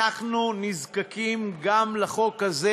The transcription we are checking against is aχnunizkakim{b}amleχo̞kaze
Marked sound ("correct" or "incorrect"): incorrect